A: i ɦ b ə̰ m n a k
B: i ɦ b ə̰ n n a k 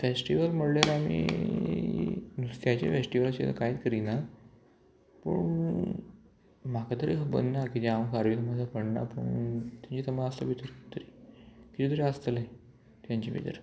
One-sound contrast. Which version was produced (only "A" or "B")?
B